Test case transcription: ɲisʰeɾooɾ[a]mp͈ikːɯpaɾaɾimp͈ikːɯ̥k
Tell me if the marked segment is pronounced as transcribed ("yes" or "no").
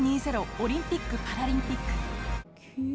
no